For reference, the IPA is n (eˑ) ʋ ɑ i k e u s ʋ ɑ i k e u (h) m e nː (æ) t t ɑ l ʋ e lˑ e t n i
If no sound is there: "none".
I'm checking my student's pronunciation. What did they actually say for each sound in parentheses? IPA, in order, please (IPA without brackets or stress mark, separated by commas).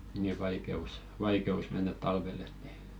iˑ, s, æ